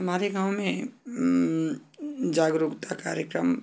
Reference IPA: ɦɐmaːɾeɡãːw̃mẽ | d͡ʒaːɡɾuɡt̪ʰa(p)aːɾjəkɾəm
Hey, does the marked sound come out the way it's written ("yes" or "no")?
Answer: no